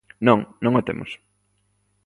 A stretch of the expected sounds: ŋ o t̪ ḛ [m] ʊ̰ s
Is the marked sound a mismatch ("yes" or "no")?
no